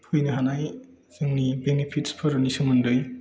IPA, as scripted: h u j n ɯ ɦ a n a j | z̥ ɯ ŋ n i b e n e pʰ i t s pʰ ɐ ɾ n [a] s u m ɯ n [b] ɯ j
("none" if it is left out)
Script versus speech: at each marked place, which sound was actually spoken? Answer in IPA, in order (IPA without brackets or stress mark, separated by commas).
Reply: i, d